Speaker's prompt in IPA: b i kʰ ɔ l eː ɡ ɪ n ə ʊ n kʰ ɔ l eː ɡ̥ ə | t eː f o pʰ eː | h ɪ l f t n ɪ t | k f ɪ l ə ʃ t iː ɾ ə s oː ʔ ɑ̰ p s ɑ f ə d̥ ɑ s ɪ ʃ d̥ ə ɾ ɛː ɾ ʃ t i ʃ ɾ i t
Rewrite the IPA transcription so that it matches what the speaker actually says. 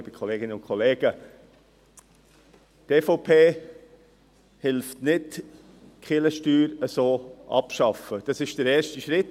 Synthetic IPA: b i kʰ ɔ l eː ɡ ɪ n ə ʊ n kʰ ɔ l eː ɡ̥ ə | t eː f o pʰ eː | h ɪ l f t n ɪ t | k χ ɪ l ə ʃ t yː ɾ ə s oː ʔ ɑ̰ p ʃ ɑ f ə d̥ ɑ s ɪ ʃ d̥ ə ɾ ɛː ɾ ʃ t i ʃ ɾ ɪ t